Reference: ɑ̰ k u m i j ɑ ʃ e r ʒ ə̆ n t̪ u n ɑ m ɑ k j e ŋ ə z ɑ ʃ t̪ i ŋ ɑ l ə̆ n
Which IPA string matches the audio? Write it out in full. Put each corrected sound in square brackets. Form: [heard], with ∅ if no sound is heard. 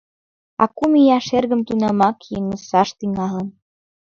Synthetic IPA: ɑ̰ k u m i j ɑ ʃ e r [ɣ] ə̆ [m] t̪ u n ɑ m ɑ k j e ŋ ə [s] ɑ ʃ t̪ i ŋ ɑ l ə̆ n